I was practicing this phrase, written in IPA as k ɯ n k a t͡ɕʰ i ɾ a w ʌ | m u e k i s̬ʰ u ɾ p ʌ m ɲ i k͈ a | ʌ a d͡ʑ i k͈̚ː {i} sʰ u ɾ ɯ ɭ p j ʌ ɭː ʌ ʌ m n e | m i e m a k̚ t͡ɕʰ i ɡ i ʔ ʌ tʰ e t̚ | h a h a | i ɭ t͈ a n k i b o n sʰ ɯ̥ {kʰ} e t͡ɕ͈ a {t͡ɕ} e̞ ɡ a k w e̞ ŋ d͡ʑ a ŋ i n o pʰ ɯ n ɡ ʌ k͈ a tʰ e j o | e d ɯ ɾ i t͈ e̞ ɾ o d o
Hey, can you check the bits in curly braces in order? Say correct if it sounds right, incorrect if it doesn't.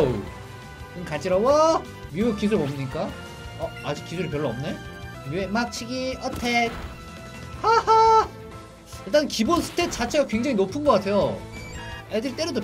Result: correct, incorrect: tʰ, incorrect: t͡ɕʰ

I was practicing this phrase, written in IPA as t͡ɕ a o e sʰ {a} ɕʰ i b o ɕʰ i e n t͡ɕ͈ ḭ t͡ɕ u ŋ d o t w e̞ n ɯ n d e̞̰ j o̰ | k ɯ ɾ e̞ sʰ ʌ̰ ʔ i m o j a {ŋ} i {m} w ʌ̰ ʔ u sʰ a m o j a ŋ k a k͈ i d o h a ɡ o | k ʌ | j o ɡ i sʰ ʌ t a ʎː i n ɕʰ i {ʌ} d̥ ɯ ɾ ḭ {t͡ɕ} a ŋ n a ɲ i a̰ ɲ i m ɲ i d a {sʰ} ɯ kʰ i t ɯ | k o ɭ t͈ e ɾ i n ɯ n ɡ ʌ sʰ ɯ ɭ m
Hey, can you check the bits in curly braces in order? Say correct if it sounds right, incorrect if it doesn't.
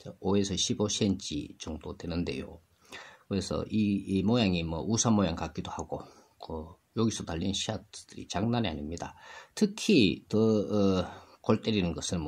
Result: incorrect: ʌ, correct, correct, incorrect: a, correct, incorrect: tʰ

